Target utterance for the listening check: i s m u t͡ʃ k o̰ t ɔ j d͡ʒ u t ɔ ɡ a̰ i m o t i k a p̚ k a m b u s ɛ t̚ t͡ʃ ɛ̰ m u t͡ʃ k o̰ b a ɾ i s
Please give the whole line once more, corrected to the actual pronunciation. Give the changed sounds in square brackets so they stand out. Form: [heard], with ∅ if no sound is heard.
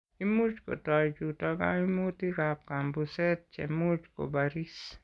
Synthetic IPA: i [∅] m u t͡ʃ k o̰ t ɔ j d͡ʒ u t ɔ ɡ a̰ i m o t i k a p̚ k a m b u s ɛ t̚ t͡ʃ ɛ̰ m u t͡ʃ k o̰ b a ɾ i s